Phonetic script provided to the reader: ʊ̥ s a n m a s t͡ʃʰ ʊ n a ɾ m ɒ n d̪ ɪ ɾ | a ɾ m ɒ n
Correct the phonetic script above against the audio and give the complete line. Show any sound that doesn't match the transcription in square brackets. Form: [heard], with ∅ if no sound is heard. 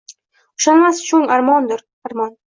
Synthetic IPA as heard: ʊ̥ [ʃ] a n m a s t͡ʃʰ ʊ [ŋ] a ɾ m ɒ n d̪ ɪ ɾ | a ɾ m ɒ n